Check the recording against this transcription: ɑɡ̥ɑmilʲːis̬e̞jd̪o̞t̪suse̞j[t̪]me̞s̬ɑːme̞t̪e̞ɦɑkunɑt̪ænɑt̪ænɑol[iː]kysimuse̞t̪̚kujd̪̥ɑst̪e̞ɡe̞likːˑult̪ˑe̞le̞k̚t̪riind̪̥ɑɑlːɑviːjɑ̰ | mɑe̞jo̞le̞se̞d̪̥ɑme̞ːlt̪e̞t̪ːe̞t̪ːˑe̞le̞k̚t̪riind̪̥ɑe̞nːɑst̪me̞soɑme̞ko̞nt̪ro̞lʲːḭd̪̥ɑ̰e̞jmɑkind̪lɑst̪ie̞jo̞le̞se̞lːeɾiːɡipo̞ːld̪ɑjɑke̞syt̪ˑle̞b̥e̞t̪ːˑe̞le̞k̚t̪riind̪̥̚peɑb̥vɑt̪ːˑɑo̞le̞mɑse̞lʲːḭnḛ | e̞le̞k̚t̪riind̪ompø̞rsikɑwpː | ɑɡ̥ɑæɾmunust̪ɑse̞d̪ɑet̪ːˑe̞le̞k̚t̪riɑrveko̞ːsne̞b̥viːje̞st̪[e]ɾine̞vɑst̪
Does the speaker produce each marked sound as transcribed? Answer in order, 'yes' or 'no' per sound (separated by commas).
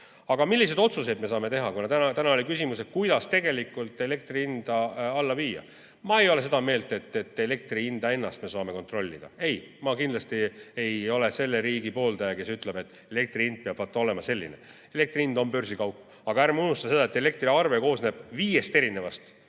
no, no, yes